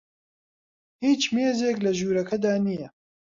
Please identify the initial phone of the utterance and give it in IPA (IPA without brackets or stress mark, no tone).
h